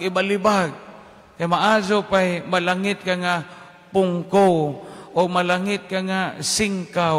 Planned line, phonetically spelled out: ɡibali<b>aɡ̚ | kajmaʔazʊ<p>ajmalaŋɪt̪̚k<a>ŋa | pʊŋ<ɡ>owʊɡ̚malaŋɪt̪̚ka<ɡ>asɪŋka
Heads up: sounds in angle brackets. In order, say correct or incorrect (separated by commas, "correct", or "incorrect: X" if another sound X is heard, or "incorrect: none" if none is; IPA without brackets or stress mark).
correct, correct, correct, incorrect: k, incorrect: ŋ